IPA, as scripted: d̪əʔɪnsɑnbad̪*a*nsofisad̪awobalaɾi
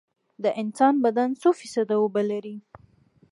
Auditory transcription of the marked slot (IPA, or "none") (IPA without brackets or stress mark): a